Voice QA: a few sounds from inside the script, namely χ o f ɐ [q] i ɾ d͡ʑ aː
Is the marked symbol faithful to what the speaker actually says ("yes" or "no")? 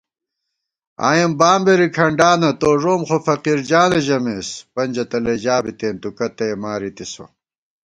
yes